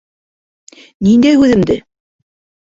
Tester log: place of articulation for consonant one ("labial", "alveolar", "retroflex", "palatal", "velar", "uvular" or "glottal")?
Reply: alveolar